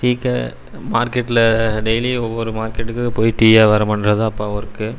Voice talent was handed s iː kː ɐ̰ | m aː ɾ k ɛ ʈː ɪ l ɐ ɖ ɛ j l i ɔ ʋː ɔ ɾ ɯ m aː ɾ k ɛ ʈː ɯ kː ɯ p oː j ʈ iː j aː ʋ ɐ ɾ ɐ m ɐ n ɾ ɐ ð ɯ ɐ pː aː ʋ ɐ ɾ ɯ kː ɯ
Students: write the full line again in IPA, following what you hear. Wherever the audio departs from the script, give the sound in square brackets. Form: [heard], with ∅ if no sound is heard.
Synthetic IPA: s iː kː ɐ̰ | m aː ɾ k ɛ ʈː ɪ l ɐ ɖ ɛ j l i ɔ ʋː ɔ ɾ ɯ m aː ɾ k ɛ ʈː ɯ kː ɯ p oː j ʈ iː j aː ʋ ɐ ɾ ɐ m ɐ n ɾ ɐ ð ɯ ɐ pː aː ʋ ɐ ɾ ɯ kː ɯ